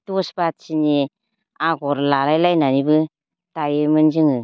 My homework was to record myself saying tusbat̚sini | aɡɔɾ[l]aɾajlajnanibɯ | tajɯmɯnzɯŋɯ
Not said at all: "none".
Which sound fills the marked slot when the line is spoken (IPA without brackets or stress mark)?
l